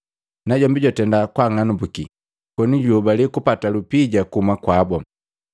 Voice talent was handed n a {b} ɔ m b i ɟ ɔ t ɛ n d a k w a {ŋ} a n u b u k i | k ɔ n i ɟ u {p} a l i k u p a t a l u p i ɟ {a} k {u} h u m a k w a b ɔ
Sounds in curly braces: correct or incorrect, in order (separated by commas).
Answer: incorrect, correct, incorrect, correct, correct